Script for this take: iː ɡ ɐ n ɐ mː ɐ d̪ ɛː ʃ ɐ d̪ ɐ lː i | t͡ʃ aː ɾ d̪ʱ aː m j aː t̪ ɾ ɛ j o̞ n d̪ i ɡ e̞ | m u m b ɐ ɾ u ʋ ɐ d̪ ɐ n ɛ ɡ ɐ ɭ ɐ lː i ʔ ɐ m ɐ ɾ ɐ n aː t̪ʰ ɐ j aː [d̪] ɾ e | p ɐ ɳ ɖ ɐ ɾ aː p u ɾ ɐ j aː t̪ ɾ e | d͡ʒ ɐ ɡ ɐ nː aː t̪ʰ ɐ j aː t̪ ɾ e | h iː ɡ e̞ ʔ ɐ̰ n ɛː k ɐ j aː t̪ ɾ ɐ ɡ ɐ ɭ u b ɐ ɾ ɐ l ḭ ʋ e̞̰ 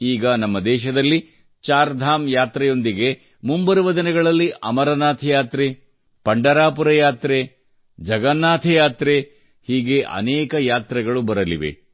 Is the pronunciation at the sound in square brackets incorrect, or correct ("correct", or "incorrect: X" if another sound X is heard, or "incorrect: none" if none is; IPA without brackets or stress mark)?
incorrect: t̪